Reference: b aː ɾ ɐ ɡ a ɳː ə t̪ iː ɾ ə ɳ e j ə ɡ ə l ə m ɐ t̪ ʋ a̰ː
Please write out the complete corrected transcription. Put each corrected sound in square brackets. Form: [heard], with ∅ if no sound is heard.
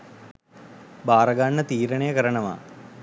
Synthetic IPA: b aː ɾ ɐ ɡ a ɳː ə t̪ iː ɾ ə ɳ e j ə [k] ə [ɾ] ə [ɳ] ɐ [∅] ʋ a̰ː